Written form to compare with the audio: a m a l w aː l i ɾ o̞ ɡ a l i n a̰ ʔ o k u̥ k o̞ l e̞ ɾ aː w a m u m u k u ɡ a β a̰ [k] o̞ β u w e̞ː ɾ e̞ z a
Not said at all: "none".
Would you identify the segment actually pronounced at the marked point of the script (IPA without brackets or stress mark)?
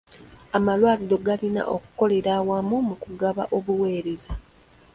ʔ